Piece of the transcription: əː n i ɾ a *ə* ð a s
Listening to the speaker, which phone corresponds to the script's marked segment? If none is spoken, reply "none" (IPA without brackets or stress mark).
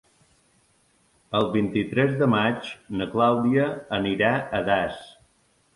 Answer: ə